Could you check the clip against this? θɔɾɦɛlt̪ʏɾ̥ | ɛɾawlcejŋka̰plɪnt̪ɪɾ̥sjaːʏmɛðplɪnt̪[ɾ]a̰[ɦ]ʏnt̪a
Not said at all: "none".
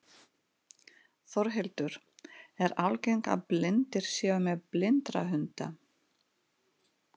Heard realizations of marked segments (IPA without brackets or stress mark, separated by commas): ɾ, ɦ